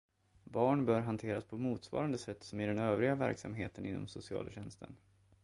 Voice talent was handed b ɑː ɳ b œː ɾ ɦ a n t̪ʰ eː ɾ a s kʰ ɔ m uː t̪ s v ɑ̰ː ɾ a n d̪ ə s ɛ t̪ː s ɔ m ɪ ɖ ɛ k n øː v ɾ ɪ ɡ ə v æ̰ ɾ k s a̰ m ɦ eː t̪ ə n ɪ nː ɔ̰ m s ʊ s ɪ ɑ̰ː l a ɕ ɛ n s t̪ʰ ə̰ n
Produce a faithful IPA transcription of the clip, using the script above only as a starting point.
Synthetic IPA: b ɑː ɳ b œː ɾ ɦ a n t̪ʰ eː ɾ a s pʰ ɔ m uː t̪ s v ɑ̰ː ɾ a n d̪ ə s ɛ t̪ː s ɔ m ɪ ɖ ɛ n øː v ɾ ɪ ɡ a v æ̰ ɾ k s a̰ m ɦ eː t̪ ə n ɪ nː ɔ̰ m s ʊ s ɪ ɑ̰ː l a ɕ ɛ n s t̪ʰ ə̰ n